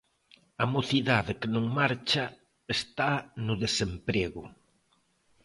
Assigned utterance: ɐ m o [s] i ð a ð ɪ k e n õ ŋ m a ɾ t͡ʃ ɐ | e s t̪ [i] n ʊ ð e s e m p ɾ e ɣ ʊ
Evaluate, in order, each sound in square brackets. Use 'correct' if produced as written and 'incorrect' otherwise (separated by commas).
incorrect, incorrect